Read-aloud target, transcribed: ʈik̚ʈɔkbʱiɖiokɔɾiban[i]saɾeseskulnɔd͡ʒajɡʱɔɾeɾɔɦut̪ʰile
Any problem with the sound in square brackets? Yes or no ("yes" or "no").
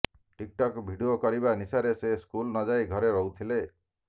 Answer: no